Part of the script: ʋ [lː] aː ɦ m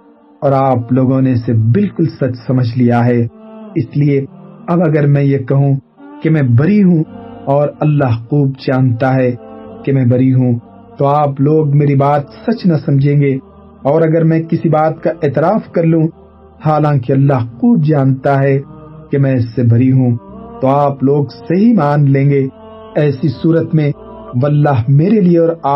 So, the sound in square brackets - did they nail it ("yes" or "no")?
yes